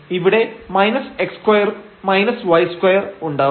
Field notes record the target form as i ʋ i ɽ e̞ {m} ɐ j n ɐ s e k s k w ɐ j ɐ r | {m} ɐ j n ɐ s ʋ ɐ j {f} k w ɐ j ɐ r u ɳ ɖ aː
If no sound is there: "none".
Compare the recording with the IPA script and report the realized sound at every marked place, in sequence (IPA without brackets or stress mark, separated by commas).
m, m, s